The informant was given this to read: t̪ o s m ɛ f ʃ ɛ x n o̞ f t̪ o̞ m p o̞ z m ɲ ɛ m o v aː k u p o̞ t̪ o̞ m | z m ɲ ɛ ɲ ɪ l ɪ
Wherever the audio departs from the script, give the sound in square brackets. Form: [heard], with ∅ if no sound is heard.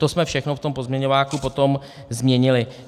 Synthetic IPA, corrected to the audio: t̪ o s m ɛ f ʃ ɛ x n o̞ f t̪ o̞ m p o̞ z m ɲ ɛ [ɲ] o v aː k u p o̞ t̪ o̞ m | z m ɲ ɛ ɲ ɪ l ɪ

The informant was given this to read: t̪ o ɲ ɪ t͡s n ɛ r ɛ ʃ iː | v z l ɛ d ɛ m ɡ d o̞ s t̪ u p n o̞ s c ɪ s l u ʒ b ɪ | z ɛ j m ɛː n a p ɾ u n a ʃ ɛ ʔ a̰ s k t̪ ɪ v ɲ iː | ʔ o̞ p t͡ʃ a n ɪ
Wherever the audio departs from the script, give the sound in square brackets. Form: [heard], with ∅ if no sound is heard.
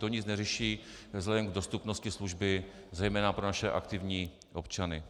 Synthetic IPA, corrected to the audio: t̪ o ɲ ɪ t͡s n ɛ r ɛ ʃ iː | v z l ɛ d ɛ m ɡ d o̞ s t̪ u p n o̞ s c ɪ s l u ʒ b ɪ | z ɛ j m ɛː n a p ɾ [o] n a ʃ ɛ ʔ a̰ [∅] k t̪ ɪ v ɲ iː | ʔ o̞ p t͡ʃ a n ɪ

